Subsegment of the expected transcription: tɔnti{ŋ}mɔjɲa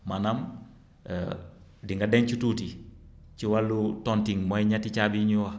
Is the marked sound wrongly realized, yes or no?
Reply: no